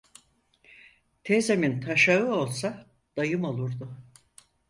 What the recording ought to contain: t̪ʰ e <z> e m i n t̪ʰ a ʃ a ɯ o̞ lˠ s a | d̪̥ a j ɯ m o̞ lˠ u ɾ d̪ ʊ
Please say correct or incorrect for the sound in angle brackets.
correct